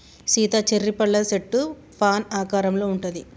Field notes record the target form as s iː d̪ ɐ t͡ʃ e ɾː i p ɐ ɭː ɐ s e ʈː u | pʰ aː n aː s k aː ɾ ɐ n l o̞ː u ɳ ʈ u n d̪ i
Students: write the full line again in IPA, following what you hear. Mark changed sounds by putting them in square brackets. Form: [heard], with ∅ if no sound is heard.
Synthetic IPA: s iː [t̪] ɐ t͡ʃ e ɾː i p ɐ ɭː ɐ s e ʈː u | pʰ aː n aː [∅] k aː ɾ ɐ [m] l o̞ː u ɳ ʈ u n d̪ i